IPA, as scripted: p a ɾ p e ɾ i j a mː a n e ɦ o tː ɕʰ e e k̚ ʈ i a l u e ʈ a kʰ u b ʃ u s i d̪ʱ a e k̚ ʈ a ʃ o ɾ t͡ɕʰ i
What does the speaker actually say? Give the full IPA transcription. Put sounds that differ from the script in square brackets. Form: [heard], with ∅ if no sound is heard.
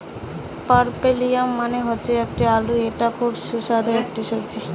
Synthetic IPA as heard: p a ɾ p e [l] i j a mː a n e ɦ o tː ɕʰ e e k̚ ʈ i a l u e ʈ a kʰ u b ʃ u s [a] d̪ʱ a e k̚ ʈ [i] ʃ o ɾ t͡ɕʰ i